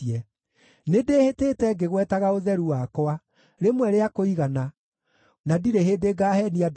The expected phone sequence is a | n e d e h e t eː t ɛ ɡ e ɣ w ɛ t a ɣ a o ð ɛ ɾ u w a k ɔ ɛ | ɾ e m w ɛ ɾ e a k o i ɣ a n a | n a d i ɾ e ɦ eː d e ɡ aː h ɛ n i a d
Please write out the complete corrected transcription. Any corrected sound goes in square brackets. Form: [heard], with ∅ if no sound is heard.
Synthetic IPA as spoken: [ɛ] | n e d e h e t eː t ɛ ɡ e ɣ w ɛ t a ɣ a o ð ɛ ɾ u w a k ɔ [a] | ɾ e m w ɛ ɾ e a k o i ɣ a n a | n a d i ɾ e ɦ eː d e ɡ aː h ɛ n i a d